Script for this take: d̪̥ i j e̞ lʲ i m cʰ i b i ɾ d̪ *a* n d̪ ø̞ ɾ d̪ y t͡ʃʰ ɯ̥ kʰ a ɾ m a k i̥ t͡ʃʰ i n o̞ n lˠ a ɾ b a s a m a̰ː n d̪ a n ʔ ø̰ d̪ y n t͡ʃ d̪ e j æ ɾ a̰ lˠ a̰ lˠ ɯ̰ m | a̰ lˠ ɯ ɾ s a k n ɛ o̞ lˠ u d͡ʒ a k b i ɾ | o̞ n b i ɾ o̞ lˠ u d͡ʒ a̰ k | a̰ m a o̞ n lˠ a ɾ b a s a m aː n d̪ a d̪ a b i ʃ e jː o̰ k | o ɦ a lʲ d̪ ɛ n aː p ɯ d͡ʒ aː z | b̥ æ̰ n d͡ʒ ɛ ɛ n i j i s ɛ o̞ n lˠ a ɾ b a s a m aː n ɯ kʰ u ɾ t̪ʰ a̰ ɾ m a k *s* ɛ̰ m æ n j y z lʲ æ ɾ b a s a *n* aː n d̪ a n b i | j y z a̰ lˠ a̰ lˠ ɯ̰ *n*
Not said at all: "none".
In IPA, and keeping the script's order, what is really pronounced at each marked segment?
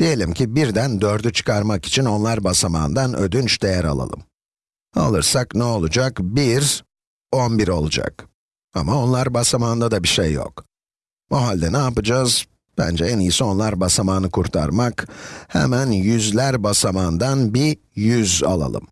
æ, h, m, m

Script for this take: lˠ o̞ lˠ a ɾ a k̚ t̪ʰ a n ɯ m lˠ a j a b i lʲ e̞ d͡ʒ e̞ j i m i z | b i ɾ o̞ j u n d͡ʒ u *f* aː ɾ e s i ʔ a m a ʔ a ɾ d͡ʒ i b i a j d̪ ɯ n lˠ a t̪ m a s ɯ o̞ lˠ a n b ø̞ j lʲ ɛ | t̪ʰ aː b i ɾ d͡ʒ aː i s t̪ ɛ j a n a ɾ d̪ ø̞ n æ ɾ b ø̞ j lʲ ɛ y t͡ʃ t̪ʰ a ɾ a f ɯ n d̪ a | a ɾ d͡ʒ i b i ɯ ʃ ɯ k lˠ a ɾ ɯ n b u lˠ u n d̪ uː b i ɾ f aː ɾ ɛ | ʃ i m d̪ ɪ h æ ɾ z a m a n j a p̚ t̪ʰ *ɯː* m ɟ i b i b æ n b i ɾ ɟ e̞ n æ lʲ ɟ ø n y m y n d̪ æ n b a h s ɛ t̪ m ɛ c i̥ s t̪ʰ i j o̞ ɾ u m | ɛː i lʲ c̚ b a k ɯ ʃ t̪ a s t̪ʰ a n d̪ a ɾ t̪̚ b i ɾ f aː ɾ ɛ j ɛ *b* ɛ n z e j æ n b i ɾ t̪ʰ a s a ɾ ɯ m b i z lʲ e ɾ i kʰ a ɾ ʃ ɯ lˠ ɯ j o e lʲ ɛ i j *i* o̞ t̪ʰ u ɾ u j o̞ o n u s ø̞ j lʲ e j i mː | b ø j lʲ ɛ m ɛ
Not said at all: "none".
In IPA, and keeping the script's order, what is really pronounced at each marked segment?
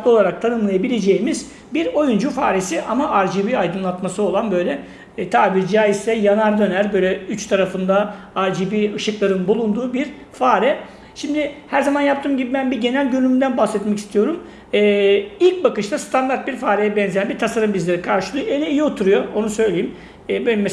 f, ɯː, b, i

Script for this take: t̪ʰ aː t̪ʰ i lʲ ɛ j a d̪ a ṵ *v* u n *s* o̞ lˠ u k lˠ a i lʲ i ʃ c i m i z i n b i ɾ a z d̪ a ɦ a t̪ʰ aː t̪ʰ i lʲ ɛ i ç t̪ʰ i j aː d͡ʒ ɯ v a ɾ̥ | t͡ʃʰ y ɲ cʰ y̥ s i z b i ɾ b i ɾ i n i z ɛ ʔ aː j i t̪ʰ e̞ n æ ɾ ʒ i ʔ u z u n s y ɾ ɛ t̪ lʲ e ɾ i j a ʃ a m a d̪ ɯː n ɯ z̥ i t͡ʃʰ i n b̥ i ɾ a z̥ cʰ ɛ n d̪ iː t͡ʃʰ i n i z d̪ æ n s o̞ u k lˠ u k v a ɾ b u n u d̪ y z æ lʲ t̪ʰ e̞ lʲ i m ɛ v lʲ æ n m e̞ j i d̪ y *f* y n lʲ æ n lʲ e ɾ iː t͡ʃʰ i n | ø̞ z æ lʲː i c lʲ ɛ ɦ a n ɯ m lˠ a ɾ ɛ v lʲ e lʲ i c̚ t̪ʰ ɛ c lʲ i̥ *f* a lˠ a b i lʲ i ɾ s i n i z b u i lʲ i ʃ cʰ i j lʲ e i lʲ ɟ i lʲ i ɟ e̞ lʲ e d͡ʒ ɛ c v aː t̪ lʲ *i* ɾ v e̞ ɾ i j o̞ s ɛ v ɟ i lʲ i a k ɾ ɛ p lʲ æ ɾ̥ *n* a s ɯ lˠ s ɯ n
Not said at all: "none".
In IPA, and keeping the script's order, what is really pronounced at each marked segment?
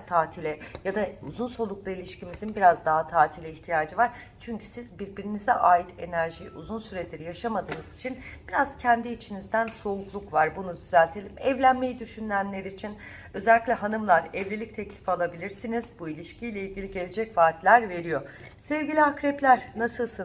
z, s, ʃ, f, æ, n

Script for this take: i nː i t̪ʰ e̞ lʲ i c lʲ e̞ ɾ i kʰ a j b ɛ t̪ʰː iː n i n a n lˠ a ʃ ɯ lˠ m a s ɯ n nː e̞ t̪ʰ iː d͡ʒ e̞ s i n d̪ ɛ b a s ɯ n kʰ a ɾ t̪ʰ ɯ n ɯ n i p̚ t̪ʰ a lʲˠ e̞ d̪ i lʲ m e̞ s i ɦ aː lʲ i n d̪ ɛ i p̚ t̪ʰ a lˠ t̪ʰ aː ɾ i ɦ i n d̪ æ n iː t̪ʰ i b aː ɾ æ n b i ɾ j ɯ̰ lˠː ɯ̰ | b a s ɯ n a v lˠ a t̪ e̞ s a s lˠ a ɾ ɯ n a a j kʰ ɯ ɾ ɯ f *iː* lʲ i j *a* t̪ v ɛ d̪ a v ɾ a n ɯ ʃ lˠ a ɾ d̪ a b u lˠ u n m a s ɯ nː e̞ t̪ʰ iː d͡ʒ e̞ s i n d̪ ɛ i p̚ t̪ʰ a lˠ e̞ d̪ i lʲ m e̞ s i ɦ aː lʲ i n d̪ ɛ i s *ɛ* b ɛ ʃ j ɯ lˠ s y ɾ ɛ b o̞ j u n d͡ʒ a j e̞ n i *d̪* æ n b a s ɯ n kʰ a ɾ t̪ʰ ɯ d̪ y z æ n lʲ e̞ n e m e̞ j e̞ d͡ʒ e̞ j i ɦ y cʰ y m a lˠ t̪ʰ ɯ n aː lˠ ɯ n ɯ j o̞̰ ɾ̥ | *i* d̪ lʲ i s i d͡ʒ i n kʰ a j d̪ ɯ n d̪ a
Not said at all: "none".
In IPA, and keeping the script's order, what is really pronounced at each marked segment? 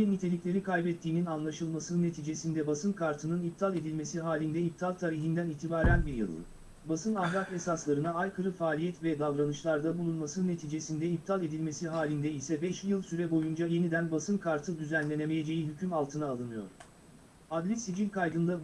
aː, ɛ, ɛ, d̪, a

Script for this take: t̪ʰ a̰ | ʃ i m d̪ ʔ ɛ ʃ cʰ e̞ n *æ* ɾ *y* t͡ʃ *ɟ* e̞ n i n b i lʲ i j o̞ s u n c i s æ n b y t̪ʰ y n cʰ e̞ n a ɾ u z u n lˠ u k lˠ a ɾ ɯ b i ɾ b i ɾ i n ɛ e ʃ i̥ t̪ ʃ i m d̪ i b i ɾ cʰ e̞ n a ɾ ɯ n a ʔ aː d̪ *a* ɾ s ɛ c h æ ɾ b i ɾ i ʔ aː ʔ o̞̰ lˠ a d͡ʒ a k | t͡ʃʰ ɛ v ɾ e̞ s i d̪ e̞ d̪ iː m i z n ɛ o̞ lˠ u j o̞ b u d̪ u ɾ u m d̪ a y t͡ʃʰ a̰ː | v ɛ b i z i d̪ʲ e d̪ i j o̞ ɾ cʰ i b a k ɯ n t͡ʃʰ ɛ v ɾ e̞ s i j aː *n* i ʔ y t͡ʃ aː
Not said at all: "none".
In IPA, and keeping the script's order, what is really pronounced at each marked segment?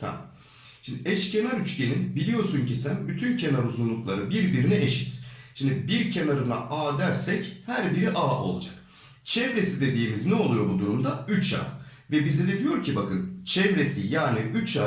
a, y, c, æ, n

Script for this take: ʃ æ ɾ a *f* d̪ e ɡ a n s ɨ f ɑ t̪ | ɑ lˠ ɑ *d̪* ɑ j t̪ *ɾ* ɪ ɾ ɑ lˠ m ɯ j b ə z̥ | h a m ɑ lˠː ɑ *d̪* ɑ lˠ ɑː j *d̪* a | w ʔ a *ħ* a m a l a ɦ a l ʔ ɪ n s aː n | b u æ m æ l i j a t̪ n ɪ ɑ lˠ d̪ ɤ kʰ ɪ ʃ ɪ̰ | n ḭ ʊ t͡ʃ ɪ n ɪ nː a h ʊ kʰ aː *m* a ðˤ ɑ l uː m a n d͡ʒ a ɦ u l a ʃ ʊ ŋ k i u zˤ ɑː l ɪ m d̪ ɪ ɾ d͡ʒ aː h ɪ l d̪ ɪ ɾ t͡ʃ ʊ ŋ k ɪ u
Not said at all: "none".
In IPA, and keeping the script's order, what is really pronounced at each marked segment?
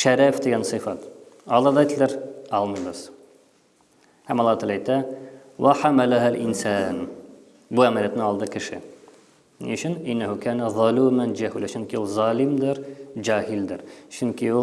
f, d̪, l, t̪, t̪, ħ, n

